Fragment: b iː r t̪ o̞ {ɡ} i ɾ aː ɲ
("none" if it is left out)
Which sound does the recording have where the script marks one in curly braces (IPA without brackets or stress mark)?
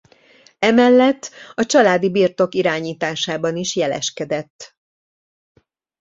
k